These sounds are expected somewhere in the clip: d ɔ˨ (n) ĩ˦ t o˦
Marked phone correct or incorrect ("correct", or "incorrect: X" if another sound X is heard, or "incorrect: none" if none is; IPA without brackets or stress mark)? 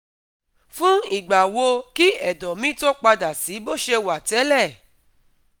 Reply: incorrect: m